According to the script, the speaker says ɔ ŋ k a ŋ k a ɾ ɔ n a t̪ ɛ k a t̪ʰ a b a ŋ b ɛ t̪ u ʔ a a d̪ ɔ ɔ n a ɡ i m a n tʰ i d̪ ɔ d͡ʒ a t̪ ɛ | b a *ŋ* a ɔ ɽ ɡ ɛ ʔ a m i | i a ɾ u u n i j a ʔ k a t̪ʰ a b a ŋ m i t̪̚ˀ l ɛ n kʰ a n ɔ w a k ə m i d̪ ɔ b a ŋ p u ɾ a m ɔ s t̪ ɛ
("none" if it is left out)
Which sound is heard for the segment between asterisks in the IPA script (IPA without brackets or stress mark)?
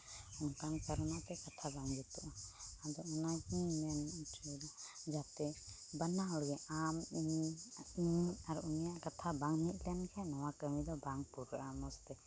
n